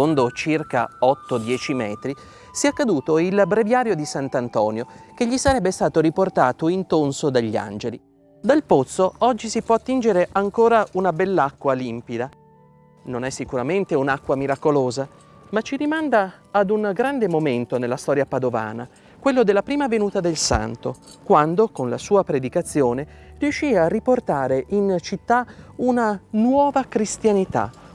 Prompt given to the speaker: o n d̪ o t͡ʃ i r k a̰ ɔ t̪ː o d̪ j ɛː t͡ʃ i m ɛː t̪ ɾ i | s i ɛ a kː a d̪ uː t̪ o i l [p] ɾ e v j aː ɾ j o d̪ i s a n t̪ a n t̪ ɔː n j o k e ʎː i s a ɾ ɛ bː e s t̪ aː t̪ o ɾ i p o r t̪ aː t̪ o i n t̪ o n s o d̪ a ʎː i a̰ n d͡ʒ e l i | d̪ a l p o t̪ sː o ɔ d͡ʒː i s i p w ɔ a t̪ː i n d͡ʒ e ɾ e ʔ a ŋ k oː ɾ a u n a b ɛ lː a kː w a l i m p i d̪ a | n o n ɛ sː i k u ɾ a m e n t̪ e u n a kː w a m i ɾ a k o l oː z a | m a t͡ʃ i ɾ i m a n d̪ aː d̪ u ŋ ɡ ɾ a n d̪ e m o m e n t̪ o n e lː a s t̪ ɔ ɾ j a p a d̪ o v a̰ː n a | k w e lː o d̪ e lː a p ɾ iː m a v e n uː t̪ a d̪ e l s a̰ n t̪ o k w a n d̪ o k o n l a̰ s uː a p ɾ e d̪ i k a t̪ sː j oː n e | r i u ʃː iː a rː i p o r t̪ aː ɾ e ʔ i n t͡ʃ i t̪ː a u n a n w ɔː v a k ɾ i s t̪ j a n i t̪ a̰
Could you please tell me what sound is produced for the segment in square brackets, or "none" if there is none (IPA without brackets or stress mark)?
b